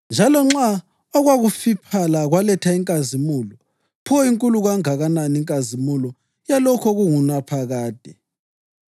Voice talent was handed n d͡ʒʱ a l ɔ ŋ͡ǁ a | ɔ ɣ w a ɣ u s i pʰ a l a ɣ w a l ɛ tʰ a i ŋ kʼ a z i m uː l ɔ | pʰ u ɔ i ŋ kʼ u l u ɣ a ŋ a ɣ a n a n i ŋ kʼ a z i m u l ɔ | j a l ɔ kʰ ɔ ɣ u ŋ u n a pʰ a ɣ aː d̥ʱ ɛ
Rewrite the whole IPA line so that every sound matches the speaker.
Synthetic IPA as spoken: n d͡ʒʱ a l ɔ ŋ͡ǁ a | ɔ ɣ w a ɣ u f i pʰ a l a ɣ w a l ɛ tʰ a i ŋ kʼ a z i m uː l ɔ | pʰ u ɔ i ŋ kʼ u l u ɣ a ŋ a ɣ a n a n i ŋ kʼ a z i m u l ɔ | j a l ɔ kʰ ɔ ɣ u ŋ u n a pʰ a ɣ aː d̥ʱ ɛ